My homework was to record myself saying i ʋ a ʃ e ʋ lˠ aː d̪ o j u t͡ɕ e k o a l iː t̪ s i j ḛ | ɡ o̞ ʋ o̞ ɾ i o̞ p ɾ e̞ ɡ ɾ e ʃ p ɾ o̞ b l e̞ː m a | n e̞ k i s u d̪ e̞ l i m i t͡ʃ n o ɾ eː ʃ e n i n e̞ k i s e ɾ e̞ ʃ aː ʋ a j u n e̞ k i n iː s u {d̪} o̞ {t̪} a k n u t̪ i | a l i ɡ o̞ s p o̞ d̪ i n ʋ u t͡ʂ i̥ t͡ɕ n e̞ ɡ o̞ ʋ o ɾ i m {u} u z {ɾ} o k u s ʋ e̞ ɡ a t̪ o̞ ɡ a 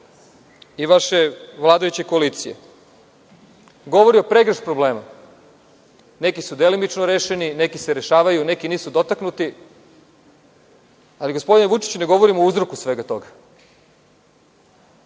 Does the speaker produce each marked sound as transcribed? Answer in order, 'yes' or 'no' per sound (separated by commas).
yes, yes, no, yes